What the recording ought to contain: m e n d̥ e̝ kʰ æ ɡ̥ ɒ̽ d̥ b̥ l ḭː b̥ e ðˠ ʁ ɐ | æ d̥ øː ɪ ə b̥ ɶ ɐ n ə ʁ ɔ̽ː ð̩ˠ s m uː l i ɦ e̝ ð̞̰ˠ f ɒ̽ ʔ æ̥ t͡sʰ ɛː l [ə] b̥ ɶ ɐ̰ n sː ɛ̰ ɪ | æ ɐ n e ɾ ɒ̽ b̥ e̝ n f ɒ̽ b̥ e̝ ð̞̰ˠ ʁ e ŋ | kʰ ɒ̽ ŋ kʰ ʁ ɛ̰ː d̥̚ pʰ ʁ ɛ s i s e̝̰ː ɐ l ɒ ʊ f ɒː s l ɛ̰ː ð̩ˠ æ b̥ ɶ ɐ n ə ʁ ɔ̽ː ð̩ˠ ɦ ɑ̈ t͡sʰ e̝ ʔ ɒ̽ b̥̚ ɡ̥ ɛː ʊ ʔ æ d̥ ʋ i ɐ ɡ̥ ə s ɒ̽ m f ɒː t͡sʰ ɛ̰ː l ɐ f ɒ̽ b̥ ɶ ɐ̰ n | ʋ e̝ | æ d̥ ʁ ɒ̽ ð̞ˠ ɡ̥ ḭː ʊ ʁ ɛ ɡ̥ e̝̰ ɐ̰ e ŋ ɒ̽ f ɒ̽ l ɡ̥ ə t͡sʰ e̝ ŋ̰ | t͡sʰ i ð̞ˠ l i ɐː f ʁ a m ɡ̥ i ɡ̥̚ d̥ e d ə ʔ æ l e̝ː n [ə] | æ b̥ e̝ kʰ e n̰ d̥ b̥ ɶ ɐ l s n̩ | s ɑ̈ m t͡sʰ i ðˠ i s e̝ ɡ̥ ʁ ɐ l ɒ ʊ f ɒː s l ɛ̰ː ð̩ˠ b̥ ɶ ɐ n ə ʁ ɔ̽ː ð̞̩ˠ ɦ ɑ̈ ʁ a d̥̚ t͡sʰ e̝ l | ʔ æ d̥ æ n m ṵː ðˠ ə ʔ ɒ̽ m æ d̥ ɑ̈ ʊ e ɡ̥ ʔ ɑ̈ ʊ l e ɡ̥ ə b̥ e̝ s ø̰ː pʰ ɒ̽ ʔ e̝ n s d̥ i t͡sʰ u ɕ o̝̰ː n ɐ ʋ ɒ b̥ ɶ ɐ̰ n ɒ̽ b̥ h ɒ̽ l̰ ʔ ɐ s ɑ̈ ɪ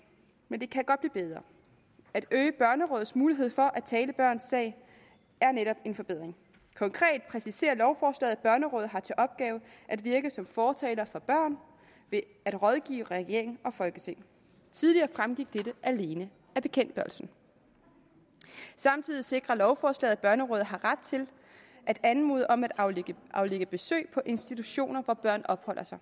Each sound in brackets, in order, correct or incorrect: correct, correct

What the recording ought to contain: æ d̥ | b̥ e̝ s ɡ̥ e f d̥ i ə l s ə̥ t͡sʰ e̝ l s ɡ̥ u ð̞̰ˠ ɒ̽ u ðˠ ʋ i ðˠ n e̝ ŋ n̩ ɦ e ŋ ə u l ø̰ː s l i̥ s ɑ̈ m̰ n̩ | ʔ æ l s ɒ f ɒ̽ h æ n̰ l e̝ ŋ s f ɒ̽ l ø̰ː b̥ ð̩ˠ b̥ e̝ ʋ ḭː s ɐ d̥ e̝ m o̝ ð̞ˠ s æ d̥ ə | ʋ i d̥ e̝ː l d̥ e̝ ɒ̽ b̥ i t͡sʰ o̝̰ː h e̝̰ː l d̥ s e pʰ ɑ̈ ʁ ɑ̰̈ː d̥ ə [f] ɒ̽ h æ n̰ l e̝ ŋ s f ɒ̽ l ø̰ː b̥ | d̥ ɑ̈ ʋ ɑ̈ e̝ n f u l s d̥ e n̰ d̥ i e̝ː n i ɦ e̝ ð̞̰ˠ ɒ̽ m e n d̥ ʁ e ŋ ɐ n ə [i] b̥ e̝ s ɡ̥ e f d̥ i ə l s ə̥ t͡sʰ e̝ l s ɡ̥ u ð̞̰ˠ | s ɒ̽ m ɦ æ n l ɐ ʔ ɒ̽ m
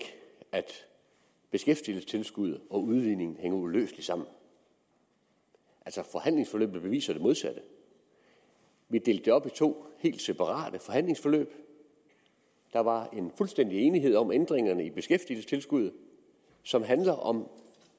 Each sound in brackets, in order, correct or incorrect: correct, correct

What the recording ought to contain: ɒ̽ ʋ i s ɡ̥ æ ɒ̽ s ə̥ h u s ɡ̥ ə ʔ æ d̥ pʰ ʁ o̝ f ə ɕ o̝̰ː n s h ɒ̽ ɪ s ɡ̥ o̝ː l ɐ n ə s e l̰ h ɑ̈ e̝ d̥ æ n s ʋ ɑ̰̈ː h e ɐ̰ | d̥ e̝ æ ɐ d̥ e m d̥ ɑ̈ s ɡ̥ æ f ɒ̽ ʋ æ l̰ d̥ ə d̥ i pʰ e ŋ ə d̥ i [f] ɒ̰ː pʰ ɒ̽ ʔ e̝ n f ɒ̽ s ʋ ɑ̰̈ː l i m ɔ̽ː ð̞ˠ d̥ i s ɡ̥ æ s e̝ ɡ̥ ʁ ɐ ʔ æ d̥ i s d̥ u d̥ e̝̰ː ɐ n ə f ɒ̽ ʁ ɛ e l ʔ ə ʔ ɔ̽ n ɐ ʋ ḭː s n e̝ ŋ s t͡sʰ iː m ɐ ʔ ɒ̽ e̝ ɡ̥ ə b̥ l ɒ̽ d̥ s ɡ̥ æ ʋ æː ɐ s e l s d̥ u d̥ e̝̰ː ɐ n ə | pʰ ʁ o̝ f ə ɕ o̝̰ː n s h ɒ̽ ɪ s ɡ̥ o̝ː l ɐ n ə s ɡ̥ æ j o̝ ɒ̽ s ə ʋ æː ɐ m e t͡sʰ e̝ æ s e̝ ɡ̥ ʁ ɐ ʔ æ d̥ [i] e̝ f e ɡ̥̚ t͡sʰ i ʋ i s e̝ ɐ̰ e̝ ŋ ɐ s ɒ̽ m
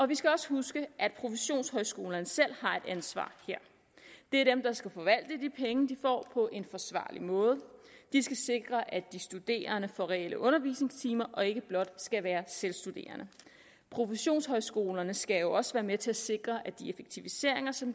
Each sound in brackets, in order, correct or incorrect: correct, correct

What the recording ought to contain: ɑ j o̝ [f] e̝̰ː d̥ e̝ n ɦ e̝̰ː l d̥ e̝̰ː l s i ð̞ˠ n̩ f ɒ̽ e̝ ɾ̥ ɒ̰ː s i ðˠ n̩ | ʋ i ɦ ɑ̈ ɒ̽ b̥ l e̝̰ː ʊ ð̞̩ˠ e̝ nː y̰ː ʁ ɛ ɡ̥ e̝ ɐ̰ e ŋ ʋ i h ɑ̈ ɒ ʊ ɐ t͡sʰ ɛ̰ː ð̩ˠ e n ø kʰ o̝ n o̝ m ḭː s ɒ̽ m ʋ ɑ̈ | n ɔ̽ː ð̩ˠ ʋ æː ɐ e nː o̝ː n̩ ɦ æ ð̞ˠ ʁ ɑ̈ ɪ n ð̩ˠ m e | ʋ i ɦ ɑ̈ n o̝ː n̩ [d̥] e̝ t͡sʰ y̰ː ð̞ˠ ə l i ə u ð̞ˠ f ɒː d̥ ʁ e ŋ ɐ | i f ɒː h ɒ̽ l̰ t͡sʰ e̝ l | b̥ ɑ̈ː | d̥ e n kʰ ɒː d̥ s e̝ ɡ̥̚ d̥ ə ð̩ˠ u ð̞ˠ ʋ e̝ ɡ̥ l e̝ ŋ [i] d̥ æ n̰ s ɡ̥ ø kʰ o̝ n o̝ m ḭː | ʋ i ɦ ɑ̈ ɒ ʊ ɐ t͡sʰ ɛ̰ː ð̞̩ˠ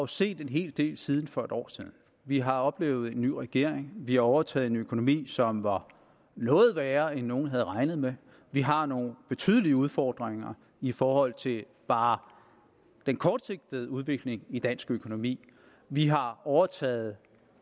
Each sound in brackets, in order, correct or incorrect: incorrect, incorrect, correct

